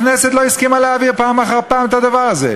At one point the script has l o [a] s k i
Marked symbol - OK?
no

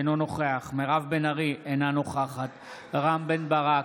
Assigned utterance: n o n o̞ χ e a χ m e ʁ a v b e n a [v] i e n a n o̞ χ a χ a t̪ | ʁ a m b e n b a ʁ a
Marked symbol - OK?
no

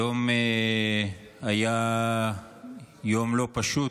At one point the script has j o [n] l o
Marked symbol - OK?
no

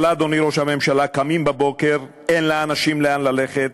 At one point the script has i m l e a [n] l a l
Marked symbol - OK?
yes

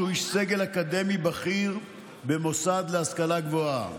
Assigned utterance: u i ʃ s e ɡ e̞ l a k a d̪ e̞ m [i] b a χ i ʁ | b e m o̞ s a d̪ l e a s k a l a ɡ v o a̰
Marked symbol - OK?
yes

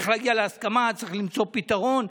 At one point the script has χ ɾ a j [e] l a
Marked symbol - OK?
no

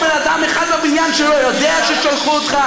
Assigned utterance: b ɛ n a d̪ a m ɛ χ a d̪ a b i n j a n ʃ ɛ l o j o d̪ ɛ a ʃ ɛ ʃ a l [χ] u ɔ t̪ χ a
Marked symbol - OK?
yes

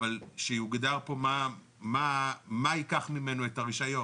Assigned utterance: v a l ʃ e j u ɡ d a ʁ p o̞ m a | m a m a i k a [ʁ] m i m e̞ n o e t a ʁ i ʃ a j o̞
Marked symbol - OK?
no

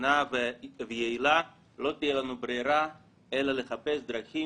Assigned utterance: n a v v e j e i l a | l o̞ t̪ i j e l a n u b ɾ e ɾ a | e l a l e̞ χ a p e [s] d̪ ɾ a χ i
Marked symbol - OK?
yes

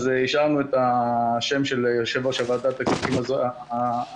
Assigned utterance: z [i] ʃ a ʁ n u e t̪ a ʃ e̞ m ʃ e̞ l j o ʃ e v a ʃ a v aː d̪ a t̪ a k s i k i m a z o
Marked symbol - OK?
yes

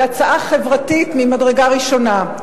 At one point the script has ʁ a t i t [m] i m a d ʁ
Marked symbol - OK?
yes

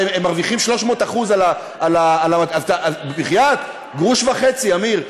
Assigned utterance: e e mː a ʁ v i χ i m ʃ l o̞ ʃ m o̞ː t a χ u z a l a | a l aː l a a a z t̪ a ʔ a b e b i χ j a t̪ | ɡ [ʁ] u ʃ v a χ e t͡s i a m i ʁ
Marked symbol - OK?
yes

